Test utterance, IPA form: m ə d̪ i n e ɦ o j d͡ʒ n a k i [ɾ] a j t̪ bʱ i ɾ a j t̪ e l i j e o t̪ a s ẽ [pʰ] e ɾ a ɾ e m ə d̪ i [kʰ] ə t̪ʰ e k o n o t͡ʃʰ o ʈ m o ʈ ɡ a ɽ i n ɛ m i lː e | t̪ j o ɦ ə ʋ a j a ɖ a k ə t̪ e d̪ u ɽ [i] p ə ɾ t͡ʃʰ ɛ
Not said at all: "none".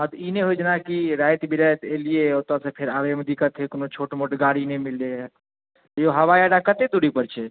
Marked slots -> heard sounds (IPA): ɾ, pʰ, k, i

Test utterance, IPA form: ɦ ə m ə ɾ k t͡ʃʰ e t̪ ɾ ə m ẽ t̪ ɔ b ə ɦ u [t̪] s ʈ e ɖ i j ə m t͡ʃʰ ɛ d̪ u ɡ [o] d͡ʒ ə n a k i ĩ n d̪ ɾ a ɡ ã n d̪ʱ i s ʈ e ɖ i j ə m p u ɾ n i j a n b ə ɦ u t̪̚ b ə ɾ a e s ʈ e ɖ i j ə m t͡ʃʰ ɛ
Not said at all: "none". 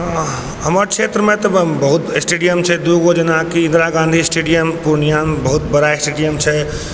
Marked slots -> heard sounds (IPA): t̪, o

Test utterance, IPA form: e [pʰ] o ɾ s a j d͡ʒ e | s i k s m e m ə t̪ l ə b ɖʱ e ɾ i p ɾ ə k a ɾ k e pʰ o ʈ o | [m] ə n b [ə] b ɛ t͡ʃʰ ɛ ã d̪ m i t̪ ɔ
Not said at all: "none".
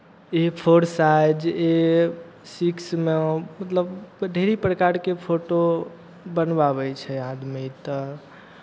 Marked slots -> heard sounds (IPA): pʰ, b, a

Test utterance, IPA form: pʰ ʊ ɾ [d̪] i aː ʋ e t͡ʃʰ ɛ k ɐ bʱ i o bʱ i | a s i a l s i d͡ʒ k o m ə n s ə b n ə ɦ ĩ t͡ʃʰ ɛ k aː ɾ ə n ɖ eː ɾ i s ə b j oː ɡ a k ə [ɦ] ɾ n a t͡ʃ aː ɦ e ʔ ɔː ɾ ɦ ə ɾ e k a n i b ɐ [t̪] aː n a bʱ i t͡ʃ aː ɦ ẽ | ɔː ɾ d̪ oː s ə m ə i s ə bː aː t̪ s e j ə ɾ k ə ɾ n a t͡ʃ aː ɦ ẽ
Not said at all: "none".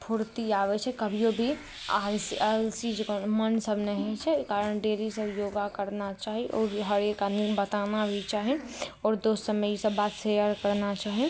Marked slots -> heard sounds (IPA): t̪, none, t̪

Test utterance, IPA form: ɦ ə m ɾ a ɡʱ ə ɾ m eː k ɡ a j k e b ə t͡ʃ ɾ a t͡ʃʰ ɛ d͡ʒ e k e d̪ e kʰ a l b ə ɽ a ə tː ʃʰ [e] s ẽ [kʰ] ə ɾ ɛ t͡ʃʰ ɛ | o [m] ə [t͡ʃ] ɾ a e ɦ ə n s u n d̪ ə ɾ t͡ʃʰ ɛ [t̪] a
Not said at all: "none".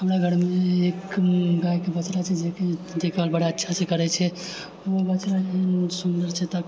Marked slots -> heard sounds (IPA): a, k, b, t͡ʃ, t̪

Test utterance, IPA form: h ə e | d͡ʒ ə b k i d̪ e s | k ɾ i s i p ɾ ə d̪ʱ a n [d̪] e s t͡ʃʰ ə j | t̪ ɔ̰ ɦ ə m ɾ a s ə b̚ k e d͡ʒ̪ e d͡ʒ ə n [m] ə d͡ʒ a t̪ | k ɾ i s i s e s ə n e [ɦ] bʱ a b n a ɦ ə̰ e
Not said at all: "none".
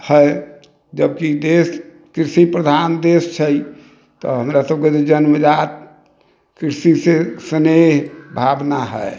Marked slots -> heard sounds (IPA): d̪, m, ɦ

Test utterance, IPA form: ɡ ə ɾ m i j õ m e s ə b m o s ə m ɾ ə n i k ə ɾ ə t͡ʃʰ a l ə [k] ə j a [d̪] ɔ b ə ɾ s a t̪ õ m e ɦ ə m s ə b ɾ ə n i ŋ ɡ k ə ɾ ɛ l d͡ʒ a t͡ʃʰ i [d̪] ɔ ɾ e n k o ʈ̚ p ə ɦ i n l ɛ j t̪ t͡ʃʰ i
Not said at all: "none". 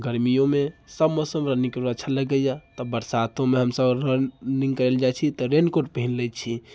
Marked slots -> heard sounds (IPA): ɡ, t̪, t̪

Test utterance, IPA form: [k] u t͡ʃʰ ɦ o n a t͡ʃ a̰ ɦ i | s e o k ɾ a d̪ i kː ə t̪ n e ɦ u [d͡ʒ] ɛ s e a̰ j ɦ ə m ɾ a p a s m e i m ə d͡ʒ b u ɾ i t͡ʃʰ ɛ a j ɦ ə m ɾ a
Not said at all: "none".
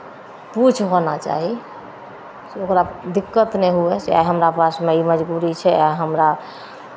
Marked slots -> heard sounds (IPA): p, none

